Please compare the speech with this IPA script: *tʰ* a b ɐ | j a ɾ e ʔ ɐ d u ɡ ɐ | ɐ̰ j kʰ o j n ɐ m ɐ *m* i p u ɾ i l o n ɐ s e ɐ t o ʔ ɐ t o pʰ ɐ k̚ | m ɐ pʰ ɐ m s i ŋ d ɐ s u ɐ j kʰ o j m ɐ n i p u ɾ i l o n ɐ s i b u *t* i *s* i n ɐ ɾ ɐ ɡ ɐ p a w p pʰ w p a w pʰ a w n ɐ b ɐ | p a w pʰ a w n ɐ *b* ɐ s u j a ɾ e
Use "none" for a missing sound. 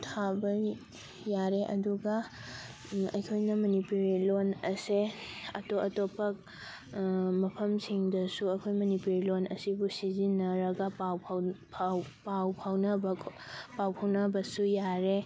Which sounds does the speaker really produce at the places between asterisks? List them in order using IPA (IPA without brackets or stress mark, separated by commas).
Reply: tʰ, n, s, z, b